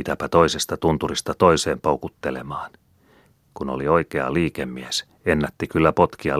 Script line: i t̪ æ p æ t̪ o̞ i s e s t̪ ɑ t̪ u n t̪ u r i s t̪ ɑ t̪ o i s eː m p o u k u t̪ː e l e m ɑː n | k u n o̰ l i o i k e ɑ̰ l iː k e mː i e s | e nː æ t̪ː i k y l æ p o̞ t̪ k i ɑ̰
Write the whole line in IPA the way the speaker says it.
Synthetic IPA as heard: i t̪ æ p æ t̪ o̞ i s e s t̪ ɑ t̪ u n t̪ u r i s t̪ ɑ t̪ o i s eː m p o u k u t̪ː e l e m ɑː n | k u n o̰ l i o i k e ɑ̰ l iː k e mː i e s | e nː æ t̪ː i k y lː æ p o̞ t̪ k i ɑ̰